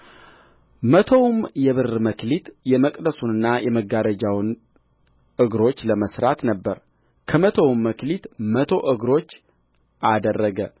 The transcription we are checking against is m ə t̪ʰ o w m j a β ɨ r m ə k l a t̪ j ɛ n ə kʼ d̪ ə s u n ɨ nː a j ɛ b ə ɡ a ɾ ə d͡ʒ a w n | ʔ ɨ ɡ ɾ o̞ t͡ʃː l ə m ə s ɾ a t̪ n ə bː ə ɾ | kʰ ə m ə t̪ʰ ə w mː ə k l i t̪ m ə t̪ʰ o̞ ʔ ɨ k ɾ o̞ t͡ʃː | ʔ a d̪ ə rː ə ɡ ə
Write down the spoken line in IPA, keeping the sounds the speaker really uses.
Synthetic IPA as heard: m ə t̪ʰ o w m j ɛ β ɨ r m ə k l i t̪ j ɛ m ə kʼ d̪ ə s u n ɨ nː a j ɛ m ə ɡ a ɾ ə d͡ʒ a w n | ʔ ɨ ɡ ɾ o̞ t͡ʃː l ə m ə s ɾ a t̪ n ə bː ə ɾ | kʰ ə m ə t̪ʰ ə w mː ə k l i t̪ m ə t̪ʰ o̞ ʔ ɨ ɡ ɾ o̞ t͡ʃː | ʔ a d̪ ə rː ə ɡ ə